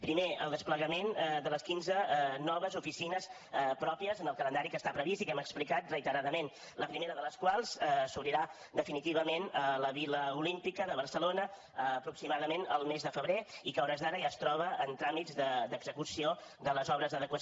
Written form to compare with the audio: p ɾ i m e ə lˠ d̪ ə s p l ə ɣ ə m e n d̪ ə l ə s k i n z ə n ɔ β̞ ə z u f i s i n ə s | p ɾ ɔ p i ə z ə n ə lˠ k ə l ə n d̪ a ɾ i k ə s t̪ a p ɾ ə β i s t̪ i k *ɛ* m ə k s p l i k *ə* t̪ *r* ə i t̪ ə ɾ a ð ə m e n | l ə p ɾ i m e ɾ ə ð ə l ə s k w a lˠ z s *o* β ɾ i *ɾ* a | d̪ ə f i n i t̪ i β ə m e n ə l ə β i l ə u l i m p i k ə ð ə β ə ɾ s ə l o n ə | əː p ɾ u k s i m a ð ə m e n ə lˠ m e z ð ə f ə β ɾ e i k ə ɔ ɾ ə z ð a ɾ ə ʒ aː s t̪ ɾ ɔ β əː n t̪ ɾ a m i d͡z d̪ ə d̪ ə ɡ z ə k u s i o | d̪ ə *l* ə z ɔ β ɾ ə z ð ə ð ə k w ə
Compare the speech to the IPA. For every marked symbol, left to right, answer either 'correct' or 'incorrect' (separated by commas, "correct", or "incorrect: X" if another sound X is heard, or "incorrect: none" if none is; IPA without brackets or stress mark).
correct, incorrect: a, correct, incorrect: u, correct, correct